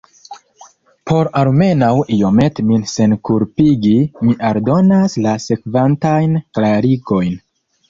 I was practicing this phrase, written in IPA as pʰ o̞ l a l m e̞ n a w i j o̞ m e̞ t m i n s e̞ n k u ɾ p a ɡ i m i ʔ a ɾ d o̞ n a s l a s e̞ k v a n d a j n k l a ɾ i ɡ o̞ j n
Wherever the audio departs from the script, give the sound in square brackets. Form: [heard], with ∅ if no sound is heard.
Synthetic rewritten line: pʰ o̞ [ɾ] a l m e̞ n a w i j o̞ m e̞ t m i n s e̞ n k u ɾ p [i] ɡ i m i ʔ a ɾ d o̞ n a s l a s e̞ k v a n [t] a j n k l a ɾ i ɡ o̞ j n